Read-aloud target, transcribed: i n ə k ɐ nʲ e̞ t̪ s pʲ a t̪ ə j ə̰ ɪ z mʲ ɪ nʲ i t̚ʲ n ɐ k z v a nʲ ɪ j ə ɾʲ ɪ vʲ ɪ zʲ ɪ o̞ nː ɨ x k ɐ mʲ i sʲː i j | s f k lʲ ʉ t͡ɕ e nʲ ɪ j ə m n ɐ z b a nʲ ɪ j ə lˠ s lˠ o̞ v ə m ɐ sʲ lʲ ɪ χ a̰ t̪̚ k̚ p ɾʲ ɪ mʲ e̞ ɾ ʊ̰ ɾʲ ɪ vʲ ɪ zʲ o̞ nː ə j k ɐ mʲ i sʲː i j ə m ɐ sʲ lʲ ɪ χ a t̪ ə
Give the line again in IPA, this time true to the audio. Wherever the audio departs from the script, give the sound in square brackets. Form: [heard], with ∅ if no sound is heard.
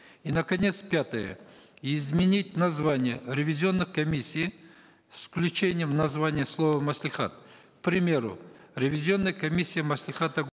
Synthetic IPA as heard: i n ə k ɐ nʲ e̞ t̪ s pʲ a t̪ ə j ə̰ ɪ z mʲ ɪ nʲ i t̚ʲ n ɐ [∅] z v a nʲ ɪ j ə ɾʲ ɪ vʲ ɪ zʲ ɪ o̞ nː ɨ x k ɐ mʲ i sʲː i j | s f k lʲ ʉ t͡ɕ e nʲ ɪ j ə m n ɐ z [v] a nʲ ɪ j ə [∅] s lˠ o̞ v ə m ɐ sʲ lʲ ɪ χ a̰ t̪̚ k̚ p ɾʲ ɪ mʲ e̞ ɾ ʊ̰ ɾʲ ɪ vʲ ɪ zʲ o̞ nː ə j k ɐ mʲ i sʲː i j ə m ɐ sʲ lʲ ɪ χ a t̪ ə